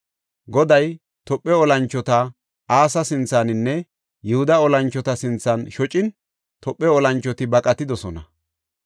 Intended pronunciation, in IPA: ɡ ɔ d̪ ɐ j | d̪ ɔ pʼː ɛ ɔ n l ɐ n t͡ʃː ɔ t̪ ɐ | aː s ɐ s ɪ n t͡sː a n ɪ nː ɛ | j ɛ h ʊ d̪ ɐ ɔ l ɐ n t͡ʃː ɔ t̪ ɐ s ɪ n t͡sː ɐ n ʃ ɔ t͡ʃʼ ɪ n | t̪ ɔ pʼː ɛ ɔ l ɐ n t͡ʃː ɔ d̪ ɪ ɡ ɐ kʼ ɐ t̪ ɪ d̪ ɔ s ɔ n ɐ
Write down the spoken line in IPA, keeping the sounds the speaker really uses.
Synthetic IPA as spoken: ɡ ɔ d̪ ɐ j | t̪ ɔ pʼː ɛ ɔ l ɐ n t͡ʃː ɔ t̪ ɐ | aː s ɐ s ɪ n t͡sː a n ɪ nː ɛ | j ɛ h ʊ d̪ ɐ ɔ l ɐ n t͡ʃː ɔ t̪ ɐ s ɪ n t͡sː ɐ n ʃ ɔ t͡ʃʼ ɪ n | t̪ ɔ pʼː ɛ ɔ l ɐ n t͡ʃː ɔ t̪ ɪ b ɐ kʼ ɐ t̪ ɪ d̪ ɔ s ɔ n ɐ